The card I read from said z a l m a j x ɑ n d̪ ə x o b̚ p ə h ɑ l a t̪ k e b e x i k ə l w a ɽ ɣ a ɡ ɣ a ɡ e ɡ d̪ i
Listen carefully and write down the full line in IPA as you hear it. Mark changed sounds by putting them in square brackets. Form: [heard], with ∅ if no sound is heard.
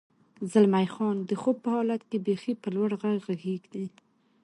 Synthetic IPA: z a l m a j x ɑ n d̪ ə x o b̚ p ə h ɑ l a t̪ k e b e x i [p] ə l w a ɽ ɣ a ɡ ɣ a ɡ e ɡ d̪ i